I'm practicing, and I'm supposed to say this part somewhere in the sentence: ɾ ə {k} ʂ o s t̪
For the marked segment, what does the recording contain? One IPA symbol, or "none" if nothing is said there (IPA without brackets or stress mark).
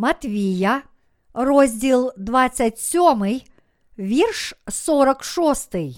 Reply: k